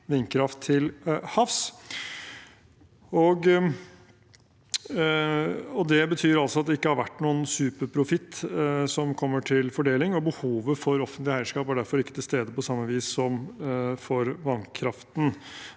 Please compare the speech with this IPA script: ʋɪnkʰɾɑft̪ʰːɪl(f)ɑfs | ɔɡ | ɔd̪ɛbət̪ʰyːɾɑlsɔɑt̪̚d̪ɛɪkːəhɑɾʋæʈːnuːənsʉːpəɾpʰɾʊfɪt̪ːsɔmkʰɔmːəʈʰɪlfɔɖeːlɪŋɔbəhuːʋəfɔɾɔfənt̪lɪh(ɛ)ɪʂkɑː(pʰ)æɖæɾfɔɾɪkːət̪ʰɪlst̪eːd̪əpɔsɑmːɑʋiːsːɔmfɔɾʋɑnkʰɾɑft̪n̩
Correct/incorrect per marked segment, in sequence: incorrect, incorrect, incorrect

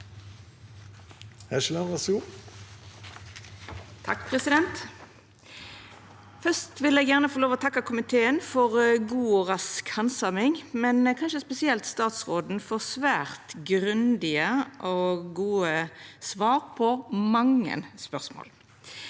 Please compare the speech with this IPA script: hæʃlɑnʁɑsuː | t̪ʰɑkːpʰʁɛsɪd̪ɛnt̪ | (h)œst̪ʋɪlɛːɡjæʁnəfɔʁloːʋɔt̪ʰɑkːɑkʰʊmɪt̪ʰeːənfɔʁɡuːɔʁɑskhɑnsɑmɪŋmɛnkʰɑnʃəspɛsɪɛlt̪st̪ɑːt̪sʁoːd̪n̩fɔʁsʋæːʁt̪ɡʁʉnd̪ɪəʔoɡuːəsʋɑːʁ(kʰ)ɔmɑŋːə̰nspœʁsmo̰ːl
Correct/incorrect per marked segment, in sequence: incorrect, incorrect

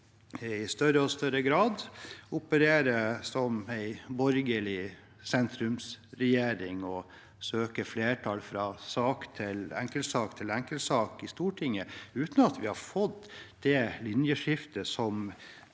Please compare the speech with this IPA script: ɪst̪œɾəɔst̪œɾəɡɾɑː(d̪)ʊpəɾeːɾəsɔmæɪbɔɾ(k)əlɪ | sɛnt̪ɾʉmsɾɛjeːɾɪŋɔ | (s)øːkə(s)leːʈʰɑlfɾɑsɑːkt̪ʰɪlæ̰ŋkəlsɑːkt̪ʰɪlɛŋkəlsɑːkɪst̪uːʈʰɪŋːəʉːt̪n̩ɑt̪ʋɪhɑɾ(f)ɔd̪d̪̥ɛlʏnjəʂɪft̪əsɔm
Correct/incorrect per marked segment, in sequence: correct, incorrect, correct, incorrect, correct

